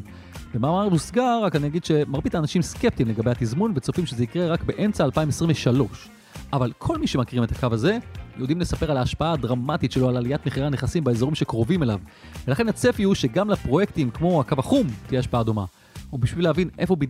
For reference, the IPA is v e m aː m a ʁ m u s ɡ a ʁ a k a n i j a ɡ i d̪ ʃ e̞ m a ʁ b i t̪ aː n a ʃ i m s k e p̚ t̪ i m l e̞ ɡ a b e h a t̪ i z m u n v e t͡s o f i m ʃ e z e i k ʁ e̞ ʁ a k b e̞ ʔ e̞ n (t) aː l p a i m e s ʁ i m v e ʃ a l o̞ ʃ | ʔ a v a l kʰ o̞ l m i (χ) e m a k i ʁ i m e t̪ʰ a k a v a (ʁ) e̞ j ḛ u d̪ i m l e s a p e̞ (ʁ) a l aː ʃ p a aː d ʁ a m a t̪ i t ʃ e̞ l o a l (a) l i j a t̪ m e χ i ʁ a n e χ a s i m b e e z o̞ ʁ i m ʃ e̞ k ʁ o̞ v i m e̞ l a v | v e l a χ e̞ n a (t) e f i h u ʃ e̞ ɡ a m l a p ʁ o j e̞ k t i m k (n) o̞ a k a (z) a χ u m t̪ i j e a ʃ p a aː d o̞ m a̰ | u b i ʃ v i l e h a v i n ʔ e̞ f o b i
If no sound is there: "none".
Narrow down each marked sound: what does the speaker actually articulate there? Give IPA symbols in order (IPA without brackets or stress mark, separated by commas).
t͡s, ʃ, z, ʁ, a, t͡s, m, v